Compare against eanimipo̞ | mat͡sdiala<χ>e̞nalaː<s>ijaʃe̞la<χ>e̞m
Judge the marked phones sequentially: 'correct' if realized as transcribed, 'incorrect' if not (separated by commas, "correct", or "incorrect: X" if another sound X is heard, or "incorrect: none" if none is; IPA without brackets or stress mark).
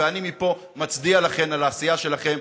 correct, correct, correct